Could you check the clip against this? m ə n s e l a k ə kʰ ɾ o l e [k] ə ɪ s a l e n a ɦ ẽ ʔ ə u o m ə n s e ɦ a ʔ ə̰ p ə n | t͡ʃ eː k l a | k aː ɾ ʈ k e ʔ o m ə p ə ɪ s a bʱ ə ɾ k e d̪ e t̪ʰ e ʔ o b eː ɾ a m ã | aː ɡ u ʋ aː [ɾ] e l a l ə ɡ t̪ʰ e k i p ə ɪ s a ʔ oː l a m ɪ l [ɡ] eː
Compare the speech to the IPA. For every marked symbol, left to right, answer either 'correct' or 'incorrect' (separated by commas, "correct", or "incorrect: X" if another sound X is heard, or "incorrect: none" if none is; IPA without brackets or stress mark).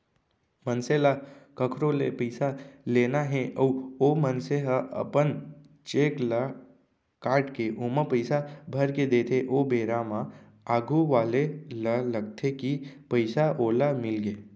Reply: incorrect: p, incorrect: l, correct